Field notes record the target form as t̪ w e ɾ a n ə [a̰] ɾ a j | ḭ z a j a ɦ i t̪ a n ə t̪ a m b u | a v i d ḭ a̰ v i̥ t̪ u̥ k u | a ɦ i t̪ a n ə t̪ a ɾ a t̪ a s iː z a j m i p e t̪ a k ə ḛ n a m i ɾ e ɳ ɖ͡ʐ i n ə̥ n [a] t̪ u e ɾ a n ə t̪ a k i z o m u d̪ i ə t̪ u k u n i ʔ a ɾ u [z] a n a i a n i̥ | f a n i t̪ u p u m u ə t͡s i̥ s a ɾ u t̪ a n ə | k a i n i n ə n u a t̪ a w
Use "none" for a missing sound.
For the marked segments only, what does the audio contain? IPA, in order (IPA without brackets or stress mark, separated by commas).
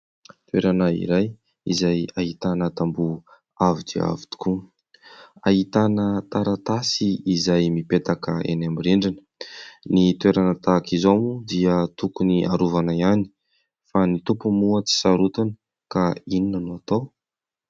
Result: ḭ, i, v